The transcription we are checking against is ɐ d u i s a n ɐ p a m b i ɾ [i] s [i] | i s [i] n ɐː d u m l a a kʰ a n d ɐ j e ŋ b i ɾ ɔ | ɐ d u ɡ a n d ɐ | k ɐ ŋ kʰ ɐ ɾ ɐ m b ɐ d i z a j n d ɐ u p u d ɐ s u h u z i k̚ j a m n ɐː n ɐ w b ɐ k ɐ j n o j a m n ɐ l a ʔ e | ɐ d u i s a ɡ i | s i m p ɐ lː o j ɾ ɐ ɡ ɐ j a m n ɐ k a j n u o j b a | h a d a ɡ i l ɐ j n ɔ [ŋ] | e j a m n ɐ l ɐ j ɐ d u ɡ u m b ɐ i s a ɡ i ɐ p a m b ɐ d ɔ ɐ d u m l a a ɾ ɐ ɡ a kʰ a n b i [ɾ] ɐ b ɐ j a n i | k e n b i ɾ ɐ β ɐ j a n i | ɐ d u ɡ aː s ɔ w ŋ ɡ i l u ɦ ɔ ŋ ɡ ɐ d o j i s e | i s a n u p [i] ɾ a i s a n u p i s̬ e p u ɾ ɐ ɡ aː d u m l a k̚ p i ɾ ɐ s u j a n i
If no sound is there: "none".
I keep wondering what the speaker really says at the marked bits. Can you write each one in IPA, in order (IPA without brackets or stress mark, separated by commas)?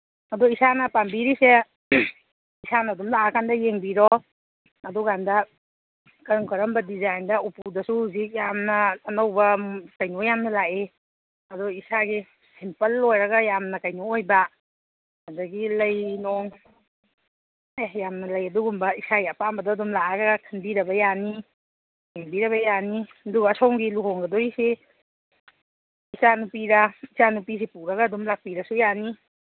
i, e, a, ŋ, ɾ, i